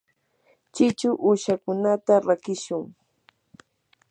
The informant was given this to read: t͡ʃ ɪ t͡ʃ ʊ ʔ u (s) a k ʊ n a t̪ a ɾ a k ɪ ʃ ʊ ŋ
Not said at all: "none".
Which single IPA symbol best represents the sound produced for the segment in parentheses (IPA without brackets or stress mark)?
ʃ